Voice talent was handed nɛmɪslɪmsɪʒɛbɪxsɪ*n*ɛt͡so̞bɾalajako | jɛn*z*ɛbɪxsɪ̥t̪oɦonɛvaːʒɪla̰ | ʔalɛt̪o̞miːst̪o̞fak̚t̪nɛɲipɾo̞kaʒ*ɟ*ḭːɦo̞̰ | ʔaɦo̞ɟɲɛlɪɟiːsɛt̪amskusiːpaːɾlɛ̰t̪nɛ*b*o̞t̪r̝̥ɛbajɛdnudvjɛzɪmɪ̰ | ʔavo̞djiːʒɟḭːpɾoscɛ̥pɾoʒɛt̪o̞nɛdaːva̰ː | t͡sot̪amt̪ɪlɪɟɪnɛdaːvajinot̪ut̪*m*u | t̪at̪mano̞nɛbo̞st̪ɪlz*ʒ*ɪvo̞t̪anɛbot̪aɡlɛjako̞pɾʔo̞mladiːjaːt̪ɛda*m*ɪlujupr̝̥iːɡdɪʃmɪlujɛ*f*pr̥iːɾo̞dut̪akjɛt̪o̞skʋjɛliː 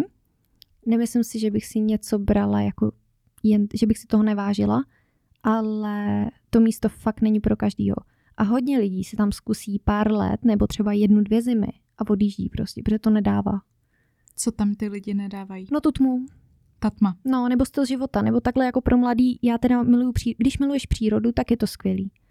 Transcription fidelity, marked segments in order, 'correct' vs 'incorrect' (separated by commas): incorrect, incorrect, incorrect, correct, correct, correct, correct, incorrect